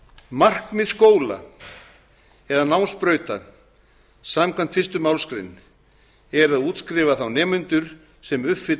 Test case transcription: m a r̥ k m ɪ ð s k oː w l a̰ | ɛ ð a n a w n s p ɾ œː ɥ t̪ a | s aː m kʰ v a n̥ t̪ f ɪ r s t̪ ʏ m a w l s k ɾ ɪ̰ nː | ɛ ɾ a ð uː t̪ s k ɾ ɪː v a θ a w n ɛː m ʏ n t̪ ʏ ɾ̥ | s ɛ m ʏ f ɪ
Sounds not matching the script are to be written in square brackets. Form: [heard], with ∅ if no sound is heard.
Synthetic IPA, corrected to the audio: m a r̥ k m ɪ ð s k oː w l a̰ | ɛ ð a n a w n s p ɾ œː ɥ t̪ a | s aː m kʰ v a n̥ t̪ f ɪ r s t̪ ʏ m a w l s k ɾ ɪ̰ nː | ɛ ɾ a ð uː t̪ s k ɾ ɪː v a θ a w n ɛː m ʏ n t̪ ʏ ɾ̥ | s ɛ m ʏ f ɪ